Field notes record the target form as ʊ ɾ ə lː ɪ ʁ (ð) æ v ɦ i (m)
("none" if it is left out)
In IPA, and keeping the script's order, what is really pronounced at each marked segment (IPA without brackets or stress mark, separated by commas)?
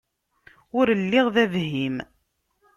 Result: ð, m